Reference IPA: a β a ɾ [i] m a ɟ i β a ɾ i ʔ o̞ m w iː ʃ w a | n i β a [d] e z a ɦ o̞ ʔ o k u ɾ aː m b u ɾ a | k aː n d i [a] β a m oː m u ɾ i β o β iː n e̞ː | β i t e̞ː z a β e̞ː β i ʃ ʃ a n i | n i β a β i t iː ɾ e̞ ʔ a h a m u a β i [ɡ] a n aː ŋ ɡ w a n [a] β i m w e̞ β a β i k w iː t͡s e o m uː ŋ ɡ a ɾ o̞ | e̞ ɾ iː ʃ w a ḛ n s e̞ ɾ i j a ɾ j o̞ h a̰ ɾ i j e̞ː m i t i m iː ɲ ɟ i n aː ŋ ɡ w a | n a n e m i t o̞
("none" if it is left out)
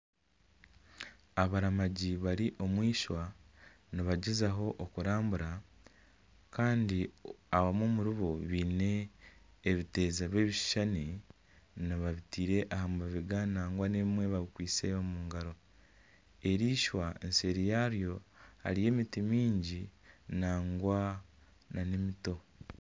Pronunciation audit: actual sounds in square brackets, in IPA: a, ɟ, a, ɡ, e

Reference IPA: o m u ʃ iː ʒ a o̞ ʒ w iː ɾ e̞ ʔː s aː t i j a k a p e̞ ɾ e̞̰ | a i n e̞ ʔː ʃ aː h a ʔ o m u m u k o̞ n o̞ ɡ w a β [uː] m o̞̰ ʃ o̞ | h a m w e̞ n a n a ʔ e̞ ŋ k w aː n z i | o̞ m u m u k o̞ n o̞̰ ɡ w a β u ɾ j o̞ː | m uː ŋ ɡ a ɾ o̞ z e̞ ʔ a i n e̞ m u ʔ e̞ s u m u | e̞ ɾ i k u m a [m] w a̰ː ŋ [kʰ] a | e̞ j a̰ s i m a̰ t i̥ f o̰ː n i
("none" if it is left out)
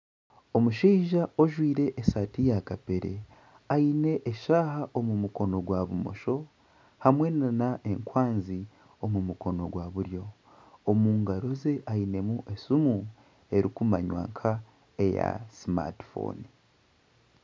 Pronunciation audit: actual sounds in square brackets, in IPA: u, ɲ, kʰ

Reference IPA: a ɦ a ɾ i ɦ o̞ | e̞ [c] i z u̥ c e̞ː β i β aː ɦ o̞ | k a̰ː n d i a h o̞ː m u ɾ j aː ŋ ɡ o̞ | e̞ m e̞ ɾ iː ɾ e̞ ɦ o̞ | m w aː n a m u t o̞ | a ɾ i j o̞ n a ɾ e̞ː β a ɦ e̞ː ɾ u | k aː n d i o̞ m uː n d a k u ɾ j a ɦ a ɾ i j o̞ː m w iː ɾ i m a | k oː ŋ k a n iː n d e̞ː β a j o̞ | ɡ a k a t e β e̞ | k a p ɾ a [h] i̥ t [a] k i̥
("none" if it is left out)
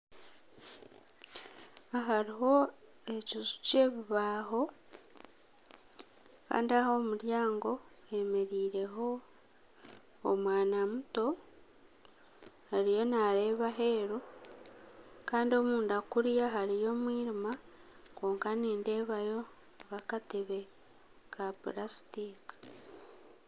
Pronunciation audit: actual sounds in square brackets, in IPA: c, s, i

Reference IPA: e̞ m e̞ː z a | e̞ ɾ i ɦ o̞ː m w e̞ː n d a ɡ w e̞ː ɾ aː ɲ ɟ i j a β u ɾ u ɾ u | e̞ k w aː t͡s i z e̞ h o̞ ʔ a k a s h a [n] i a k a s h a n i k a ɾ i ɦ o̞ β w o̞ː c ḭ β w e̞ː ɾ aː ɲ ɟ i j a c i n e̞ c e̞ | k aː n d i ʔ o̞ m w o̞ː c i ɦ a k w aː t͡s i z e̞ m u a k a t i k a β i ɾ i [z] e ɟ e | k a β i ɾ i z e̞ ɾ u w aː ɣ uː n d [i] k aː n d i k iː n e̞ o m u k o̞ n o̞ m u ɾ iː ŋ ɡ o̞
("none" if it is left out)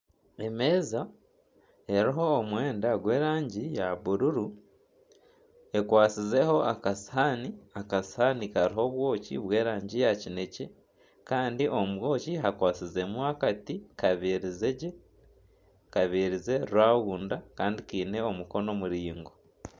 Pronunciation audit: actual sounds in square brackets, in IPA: n, z, a

